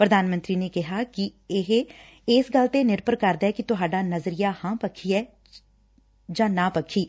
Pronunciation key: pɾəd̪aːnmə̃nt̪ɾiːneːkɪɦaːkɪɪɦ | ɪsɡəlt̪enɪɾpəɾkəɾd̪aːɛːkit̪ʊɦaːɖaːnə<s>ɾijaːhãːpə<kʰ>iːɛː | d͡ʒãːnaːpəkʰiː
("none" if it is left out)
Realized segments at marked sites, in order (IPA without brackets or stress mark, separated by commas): z, kʰ